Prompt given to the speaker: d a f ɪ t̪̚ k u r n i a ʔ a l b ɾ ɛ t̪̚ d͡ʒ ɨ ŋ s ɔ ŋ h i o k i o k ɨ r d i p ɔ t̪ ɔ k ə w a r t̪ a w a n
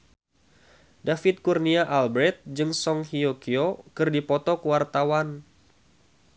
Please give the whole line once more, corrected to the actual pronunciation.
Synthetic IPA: d a f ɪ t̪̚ k u r n i a ʔ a l b ɾ ɛ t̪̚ d͡ʒ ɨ ŋ s ɔ ŋ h i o k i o k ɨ r d i p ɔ t̪ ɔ k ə w a r t̪ a w a n